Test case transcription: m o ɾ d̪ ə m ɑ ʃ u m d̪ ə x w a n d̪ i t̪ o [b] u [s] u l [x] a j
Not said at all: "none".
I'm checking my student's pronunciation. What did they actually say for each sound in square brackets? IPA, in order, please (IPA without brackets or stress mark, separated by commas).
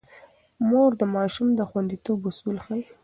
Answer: b, s, x